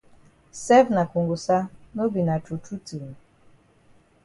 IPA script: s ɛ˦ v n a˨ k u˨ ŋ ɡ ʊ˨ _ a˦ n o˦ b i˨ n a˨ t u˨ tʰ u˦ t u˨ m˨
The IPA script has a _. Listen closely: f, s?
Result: s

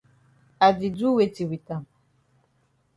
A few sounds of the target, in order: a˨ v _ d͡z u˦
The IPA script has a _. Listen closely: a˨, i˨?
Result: i˨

